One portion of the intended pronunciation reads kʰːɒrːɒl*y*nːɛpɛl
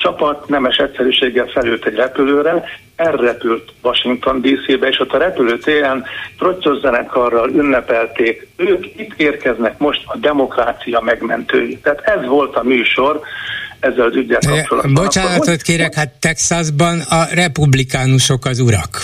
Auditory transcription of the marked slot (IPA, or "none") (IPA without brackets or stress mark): y